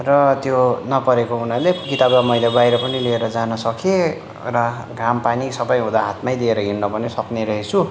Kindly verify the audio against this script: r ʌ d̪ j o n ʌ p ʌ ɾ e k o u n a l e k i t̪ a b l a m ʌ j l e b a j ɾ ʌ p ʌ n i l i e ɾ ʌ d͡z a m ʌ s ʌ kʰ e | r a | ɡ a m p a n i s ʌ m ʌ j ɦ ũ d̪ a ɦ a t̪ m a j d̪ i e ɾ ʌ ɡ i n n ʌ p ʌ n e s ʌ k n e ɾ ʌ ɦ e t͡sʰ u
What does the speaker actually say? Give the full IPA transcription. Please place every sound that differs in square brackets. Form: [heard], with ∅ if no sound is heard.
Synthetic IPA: r ʌ [t̪] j o n ʌ p ʌ ɾ e k o u n a l e k i t̪ a b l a m ʌ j l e b a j ɾ ʌ p ʌ n i l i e ɾ ʌ d͡z a [n] ʌ s ʌ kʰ e | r [ʌ] | ɡ a m p a n i s ʌ [b] ʌ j ɦ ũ d̪ a ɦ a t̪ m a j d̪ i e ɾ ʌ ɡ i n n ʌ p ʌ n e s ʌ k n e ɾ ʌ ɦ e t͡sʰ u